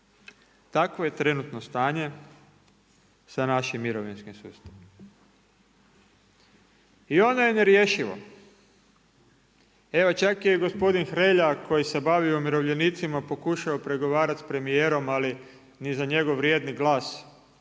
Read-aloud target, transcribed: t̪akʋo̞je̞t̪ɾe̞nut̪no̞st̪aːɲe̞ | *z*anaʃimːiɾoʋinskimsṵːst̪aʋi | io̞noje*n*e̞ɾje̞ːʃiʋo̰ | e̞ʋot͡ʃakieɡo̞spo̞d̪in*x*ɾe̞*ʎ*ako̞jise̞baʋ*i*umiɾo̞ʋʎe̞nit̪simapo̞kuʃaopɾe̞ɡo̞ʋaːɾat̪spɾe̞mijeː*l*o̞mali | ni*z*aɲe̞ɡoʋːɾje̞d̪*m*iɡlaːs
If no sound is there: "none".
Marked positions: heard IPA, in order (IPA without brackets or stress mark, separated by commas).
s, n, x, ʎ, i, ɾ, z, n